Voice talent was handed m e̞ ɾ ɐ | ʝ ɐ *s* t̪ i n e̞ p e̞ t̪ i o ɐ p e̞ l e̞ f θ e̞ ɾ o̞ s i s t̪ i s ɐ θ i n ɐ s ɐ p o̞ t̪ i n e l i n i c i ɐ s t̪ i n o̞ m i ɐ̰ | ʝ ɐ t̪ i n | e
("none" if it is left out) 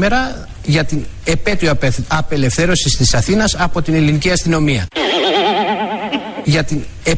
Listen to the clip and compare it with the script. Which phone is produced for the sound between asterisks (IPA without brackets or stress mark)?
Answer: none